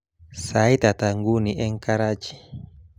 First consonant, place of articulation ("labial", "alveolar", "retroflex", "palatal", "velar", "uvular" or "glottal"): alveolar